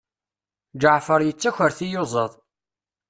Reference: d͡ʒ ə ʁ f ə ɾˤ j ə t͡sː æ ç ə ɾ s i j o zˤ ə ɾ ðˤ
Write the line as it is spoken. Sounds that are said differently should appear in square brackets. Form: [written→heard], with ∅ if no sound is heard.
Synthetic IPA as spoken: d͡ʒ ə [ʁ→ʕ] f ə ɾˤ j ə t͡sː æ ç ə ɾ [s→θ] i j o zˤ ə [ɾ→∅] ðˤ